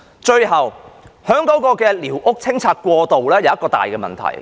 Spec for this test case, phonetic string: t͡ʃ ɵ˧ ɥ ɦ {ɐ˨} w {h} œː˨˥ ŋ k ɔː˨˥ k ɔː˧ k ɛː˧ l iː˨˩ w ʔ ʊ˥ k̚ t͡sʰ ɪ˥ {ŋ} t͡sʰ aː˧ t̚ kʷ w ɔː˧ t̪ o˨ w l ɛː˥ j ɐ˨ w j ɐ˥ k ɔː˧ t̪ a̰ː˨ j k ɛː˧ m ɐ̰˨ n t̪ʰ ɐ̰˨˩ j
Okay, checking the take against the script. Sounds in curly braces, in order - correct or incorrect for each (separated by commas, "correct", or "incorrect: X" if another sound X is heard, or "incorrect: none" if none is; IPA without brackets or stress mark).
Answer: correct, correct, correct